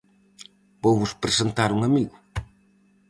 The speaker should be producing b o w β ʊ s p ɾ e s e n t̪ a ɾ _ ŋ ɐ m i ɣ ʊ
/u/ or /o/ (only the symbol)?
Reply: u